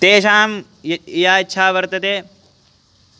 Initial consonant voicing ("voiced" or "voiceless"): voiceless